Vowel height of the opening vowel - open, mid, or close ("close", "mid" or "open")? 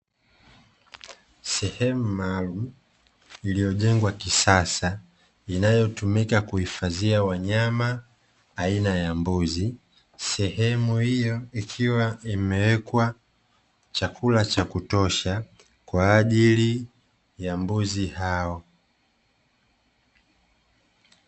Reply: mid